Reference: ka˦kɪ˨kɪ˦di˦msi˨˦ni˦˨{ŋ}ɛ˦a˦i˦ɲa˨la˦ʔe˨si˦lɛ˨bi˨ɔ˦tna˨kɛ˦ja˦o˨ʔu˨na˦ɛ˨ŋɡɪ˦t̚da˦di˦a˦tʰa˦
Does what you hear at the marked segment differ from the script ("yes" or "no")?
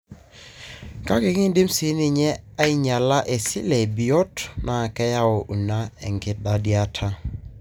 yes